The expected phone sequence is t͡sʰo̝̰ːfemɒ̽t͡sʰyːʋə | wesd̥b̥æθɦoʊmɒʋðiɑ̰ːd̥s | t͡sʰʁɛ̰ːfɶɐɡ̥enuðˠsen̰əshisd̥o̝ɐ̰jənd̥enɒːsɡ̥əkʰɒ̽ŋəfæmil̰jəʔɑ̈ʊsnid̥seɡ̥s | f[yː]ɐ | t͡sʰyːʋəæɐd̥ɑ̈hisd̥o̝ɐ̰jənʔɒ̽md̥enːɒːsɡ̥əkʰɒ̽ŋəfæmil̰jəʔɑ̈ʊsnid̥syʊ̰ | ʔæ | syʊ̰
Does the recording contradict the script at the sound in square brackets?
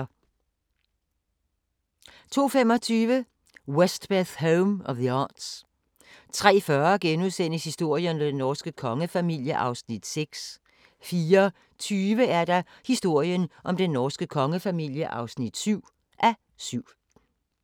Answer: yes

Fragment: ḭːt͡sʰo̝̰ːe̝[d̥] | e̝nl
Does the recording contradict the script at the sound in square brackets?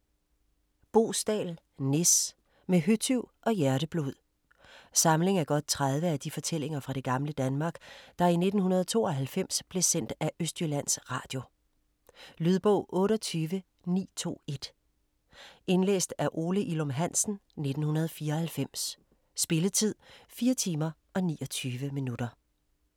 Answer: no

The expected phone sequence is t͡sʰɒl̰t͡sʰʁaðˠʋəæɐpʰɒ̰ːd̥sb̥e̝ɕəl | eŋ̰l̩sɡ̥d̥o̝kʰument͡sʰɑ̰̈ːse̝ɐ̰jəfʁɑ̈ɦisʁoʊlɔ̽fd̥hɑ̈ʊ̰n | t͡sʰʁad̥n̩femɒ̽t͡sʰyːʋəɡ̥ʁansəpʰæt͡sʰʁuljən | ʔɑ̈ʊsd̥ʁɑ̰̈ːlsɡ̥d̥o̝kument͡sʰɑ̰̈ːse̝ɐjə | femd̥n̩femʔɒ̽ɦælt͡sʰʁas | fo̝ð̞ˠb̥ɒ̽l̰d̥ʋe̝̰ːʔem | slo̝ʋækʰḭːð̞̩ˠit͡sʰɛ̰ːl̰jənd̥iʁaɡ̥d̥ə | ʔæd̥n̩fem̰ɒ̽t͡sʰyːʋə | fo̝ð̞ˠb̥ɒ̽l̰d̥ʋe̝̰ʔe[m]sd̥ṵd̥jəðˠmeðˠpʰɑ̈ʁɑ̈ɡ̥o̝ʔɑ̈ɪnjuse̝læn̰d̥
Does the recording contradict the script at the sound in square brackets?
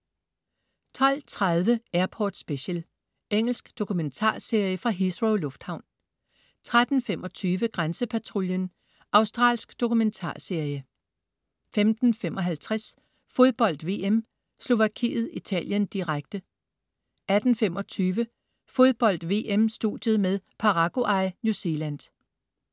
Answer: no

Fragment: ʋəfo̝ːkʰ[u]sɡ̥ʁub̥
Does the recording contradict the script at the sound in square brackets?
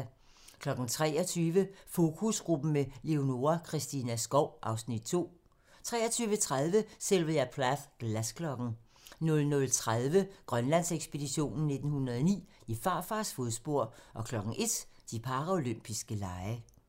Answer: no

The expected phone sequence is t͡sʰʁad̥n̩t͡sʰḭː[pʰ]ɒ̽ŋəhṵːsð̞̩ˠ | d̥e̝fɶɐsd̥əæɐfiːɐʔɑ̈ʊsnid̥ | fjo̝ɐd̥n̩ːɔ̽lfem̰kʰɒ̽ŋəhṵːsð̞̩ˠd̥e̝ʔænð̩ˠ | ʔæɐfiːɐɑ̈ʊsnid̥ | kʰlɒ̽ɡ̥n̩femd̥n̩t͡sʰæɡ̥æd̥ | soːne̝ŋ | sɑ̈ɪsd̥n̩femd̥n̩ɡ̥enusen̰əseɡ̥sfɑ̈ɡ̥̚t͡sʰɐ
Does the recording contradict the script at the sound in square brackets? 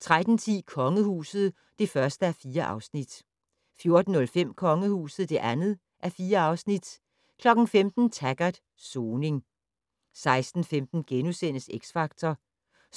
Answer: yes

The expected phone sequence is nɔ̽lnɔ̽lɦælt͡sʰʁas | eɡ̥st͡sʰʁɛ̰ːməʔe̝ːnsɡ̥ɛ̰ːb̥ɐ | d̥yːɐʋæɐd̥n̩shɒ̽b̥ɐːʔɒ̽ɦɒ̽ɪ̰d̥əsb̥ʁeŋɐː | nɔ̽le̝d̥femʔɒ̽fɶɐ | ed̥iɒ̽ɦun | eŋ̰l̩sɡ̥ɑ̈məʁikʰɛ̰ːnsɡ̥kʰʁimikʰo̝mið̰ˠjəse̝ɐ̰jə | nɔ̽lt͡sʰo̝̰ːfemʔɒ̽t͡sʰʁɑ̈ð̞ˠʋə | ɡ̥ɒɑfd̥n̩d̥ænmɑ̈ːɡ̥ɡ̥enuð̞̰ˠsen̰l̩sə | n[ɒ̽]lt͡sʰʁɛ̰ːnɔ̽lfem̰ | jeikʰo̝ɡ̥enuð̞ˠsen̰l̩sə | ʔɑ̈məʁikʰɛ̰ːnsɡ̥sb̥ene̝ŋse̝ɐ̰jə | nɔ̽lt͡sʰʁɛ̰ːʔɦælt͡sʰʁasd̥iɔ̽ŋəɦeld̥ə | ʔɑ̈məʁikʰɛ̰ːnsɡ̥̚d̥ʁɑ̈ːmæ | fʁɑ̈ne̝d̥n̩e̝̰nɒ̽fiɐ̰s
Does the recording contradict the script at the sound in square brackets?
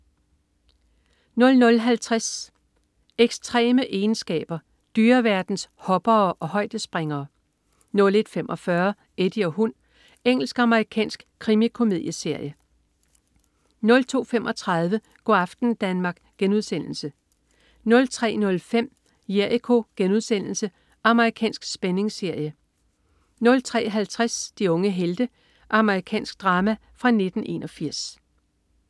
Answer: yes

